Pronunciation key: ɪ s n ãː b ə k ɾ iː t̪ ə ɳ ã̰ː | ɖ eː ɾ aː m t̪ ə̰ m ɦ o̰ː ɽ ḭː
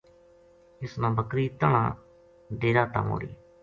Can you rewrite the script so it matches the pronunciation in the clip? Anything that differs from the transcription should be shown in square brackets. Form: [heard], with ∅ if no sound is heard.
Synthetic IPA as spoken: ɪ s n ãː b ə k ɾ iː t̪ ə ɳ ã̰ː | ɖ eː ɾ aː [∅] t̪ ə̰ m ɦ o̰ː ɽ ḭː